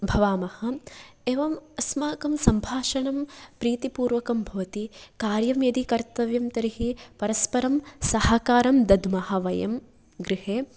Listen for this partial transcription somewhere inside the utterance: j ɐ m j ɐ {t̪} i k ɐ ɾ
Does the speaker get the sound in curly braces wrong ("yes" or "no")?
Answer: yes